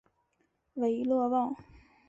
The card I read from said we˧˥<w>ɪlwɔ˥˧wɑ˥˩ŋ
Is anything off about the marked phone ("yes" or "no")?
yes